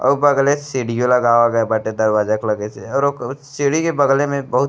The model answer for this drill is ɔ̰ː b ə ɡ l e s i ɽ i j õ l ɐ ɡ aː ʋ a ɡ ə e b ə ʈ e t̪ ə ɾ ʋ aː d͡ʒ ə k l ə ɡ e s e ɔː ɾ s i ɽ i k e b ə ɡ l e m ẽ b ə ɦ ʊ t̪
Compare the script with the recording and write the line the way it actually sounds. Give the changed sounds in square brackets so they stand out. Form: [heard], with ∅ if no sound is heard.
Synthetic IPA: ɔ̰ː b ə ɡ l e s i ɽ i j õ l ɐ ɡ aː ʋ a ɡ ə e b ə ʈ e [d̪] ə ɾ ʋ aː d͡ʒ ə k l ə ɡ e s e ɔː ɾ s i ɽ i k e b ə ɡ l e m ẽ b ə ɦ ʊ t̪